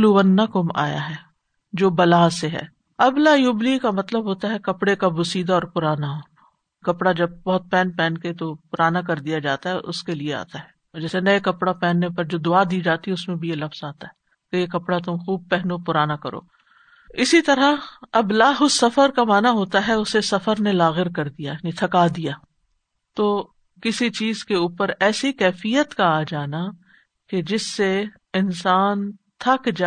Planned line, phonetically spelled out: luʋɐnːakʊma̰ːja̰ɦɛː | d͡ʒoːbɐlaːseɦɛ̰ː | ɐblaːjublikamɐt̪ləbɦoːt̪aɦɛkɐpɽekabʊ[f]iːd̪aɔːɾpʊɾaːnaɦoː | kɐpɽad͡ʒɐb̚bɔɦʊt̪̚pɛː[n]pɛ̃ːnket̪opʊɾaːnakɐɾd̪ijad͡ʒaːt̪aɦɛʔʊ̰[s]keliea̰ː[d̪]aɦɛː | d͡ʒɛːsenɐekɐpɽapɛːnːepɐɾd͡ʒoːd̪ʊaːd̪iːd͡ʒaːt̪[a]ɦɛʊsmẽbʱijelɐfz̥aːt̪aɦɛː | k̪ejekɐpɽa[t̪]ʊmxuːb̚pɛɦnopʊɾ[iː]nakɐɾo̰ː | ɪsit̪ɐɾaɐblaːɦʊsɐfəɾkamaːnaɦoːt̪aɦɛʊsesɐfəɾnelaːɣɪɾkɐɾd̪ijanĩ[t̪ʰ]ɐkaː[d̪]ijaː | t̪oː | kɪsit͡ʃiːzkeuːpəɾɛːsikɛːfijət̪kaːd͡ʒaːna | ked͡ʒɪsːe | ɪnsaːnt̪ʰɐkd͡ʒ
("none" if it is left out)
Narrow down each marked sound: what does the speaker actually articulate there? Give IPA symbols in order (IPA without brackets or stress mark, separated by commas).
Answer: s, n, s, t̪, i, t̪, aː, t̪ʰ, d̪